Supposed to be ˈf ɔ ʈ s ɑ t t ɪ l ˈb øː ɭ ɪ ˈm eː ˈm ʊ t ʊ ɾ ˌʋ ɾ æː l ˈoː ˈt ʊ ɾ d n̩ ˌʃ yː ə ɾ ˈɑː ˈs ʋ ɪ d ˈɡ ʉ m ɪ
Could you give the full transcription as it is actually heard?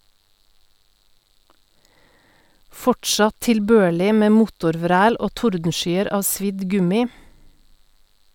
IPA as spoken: ˈf ɔ ʈ ʃ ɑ t t ɪ l ˈb øː ɭ ɪ ˈm eː ˈm ʊ t ʊ ɾ ˌʋ ɾ æː l ˈoː ˈt ʊ ɾ d n̩ ˌʃ yː ə ɾ ˈɑː ˈs ʋ ɪ d ˈɡ ʉ m ɪ

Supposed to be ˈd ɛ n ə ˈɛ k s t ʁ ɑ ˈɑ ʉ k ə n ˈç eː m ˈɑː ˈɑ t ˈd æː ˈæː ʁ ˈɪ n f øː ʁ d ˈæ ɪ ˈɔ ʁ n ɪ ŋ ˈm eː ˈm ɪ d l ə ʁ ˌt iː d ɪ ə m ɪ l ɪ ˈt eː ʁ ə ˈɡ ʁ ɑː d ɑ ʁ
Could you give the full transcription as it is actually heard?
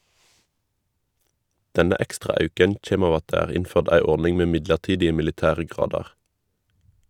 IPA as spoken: ˈd ɛ n ə ˈɛ k s t ʁ ɑ ˈɑ ʉ k ə n ˈç eː m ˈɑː ˈɑ t ˈd æː ˈæː ʁ ˈɪ n f øː ʁ d ˈæ ɪ ˈɔ ʁ n ɪ ŋ ˈm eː ˈm ɪ d l ə ʁ ˌt iː d ɪ ə m ɪ l ɪ ˈt æː ʁ ə ˈɡ ʁ ɑː d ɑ ʁ

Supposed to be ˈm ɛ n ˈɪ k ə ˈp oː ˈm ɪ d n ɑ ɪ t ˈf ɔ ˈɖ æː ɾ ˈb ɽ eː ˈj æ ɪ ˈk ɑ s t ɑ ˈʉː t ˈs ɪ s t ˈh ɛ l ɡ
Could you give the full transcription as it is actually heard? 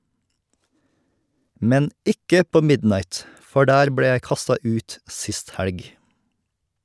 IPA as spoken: ˈm ɛ n ˈɪ k ə ˈp oː ˈm ɪ d n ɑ ɪ t ˈf ɔ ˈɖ æː ɾ ˈb ɽ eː ˈj æ ɪ ˈk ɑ s t ɑ ˈʉː t ˈs ɪ s t ˈh æ l ɡ

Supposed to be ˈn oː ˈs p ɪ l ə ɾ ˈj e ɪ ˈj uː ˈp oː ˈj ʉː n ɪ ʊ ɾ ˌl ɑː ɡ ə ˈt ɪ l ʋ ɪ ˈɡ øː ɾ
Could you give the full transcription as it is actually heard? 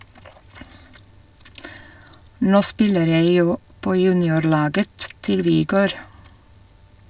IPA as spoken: ˈn oː ˈs p ɪ l ə ɾ ˈj e ɪ ˈj uː ˈp oː ˈj ʉː n ɪ ʊ ɾ ˌl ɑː ɡ ə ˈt ɪ l ʋ ɪ ˈɡ øː ɾ

